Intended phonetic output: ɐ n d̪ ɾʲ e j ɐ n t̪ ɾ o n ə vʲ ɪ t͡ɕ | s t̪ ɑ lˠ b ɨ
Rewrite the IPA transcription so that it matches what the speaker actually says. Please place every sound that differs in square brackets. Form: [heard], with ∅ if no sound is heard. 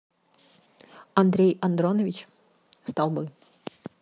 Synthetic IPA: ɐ n d̪ ɾʲ e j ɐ n [d̪] ɾ o n ə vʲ ɪ t͡ɕ | s t̪ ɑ lˠ b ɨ